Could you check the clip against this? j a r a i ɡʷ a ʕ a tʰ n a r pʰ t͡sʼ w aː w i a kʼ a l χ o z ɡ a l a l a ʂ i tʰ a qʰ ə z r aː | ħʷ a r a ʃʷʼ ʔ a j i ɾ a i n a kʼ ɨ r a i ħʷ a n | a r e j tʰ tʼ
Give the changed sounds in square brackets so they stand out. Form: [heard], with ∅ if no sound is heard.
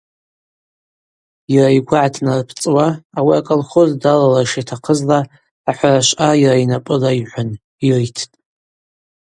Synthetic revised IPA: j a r a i ɡʷ a ʕ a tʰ n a r pʰ t͡sʼ w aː w i a kʼ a l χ o z [d] a l a l a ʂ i tʰ a qʰ ə z [l] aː | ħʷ a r a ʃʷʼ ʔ a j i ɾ a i n a [pʼ] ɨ [l] a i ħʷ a n | [i] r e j tʰ tʼ